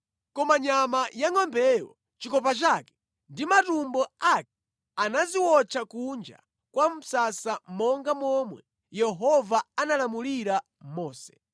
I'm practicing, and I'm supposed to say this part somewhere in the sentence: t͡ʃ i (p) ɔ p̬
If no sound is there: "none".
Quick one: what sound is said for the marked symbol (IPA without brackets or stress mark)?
k